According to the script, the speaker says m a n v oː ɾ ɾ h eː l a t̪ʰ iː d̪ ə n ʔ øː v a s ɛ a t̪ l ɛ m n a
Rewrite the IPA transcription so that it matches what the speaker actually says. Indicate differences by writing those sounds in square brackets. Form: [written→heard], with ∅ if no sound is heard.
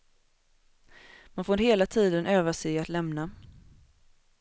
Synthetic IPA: m a n [v→f] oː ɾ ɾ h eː l a t̪ʰ iː d̪ ə n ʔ øː v a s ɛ a t̪ l ɛ m n a